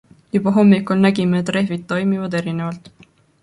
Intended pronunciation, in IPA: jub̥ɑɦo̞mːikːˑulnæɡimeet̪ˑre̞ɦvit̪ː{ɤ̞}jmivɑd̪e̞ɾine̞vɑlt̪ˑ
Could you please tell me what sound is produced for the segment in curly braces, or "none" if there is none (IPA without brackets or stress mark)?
o̞